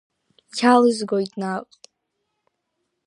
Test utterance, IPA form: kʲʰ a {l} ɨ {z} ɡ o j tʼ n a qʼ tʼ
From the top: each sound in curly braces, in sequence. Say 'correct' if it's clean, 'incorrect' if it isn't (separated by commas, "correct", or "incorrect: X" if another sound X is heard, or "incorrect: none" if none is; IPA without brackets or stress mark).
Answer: correct, correct